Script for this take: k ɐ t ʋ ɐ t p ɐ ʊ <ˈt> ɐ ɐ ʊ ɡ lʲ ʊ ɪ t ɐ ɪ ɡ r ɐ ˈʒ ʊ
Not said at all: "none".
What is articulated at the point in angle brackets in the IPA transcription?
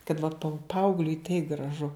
p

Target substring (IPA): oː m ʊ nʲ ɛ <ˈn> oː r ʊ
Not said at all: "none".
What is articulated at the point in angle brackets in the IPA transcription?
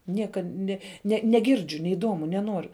n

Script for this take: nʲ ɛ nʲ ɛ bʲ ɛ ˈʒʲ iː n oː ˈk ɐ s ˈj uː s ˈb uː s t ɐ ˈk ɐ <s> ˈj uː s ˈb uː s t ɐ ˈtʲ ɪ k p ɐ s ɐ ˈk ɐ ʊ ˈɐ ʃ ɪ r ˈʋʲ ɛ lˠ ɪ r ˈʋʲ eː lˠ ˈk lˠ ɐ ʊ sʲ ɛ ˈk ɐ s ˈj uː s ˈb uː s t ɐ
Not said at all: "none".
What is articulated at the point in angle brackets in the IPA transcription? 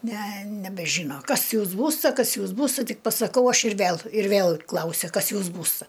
s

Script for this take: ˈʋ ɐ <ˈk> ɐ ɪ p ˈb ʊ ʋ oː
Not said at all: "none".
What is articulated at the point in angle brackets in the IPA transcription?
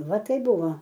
t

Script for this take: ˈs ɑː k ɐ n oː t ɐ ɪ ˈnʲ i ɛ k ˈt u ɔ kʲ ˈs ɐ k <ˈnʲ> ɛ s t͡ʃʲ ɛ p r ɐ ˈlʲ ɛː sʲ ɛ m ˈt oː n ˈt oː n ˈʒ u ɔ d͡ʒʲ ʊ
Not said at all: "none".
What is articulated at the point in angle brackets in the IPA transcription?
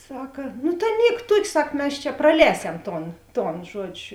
mʲ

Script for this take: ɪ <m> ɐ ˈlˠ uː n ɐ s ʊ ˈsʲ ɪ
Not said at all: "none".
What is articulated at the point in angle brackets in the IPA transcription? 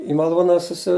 m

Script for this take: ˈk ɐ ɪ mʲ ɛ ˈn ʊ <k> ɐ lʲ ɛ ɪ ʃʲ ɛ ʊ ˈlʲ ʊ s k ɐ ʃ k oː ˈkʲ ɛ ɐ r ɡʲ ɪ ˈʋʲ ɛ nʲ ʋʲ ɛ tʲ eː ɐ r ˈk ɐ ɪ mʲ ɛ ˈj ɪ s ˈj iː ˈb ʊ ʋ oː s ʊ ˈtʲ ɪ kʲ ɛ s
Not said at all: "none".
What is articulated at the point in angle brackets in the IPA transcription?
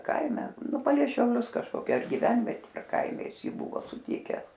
p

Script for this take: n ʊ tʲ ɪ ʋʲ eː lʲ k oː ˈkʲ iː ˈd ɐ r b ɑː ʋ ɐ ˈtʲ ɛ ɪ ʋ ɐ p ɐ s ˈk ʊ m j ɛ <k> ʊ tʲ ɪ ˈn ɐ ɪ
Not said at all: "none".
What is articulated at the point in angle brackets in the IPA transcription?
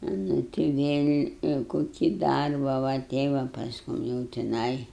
none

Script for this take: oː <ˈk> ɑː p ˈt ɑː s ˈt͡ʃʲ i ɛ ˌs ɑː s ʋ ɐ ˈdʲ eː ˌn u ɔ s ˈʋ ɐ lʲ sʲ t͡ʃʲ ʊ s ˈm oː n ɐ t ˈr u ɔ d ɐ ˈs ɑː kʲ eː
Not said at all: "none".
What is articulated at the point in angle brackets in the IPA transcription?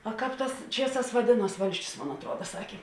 k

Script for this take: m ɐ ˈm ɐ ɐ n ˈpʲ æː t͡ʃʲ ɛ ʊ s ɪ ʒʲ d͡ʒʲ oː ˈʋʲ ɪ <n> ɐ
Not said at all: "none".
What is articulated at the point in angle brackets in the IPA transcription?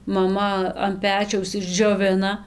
n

